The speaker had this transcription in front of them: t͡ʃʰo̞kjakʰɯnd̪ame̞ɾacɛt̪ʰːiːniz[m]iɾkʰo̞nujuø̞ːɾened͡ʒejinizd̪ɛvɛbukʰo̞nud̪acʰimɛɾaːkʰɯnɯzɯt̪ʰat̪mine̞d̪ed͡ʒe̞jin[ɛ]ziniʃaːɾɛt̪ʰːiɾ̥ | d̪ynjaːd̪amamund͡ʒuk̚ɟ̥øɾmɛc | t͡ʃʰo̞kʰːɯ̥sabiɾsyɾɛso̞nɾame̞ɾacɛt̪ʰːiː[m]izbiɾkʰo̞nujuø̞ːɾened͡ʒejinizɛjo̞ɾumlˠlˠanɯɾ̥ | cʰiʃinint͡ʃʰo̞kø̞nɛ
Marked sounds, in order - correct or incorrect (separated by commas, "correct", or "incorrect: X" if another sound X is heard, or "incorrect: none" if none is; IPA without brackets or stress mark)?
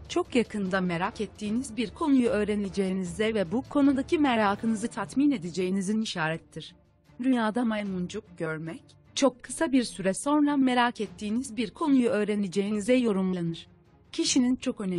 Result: incorrect: b, incorrect: i, incorrect: n